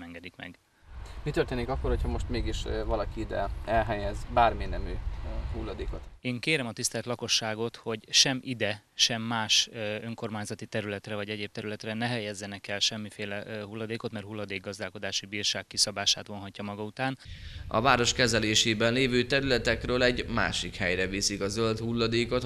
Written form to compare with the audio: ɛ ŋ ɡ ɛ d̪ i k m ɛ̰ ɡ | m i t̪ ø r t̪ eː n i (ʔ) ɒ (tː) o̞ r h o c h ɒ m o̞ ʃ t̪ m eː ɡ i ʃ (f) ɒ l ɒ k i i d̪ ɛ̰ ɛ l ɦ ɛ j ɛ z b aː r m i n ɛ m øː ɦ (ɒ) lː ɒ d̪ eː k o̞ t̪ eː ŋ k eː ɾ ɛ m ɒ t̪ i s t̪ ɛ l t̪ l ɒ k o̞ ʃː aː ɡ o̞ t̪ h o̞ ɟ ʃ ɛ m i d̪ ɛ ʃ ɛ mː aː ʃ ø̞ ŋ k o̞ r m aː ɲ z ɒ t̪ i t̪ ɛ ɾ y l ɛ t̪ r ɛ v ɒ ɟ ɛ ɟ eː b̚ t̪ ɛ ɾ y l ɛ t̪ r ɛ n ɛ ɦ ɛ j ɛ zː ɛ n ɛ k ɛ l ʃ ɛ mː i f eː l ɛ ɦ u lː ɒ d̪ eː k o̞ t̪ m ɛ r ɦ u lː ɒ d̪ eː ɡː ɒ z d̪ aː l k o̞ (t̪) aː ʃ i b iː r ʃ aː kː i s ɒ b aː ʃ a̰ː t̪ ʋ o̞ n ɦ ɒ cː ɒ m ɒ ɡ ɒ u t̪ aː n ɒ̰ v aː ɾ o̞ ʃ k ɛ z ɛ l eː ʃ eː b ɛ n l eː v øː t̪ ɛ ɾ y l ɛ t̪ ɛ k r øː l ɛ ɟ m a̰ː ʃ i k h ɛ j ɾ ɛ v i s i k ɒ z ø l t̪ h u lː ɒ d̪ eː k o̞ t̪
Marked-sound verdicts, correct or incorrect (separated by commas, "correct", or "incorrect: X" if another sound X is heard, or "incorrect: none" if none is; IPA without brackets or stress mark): incorrect: k, incorrect: kː, incorrect: v, incorrect: u, incorrect: d̪